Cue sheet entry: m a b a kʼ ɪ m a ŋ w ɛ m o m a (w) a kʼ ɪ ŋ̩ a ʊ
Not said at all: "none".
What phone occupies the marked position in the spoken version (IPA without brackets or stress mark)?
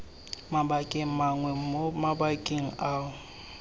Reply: b